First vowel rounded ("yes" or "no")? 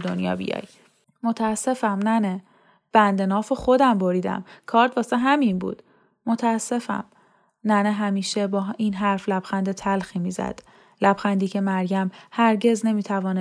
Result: yes